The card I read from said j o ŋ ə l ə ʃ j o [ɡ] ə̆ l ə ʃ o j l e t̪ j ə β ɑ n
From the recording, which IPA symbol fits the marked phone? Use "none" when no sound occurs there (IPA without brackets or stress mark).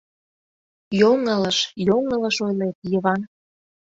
ŋ